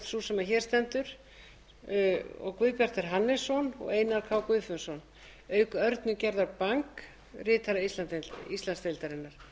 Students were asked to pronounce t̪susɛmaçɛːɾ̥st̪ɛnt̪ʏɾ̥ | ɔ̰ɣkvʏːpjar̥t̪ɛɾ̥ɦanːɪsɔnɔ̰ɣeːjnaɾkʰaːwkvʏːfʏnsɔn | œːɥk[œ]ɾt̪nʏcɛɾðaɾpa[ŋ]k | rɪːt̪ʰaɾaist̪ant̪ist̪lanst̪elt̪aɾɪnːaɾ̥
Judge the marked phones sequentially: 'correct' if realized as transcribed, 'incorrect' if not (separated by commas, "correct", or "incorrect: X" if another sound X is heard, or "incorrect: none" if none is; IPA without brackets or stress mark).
correct, correct